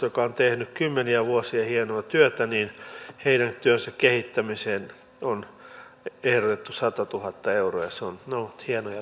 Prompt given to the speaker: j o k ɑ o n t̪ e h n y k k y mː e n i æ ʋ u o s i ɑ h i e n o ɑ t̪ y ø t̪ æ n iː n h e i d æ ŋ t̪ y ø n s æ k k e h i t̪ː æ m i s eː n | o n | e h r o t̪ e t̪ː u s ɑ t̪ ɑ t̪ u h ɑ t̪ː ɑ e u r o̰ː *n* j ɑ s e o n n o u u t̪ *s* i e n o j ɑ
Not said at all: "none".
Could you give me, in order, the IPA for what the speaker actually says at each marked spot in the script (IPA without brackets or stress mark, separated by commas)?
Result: none, h